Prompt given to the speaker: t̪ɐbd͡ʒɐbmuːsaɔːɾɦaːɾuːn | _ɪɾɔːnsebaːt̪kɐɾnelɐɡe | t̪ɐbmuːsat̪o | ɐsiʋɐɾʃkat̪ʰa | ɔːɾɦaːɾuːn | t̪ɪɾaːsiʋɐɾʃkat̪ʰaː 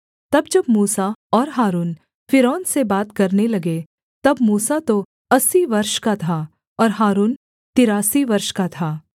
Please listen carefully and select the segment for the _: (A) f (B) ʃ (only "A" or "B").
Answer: A